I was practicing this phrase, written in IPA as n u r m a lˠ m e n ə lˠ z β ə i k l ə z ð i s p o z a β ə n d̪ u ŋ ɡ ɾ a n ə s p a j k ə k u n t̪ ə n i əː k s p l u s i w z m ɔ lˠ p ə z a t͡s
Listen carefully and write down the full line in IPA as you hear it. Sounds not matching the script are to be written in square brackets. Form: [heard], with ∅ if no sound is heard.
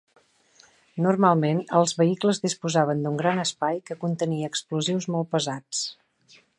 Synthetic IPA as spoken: n u r m a lˠ m e n ə lˠ z β ə i k l ə z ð i s p [u] z a β ə n d̪ u ŋ ɡ ɾ a n ə s p a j k ə k u n t̪ ə n i əː k s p l u [z] i w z m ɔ lˠ p ə z a t͡s